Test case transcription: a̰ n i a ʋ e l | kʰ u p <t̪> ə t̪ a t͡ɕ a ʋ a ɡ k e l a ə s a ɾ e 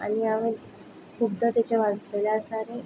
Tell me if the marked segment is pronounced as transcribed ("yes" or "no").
no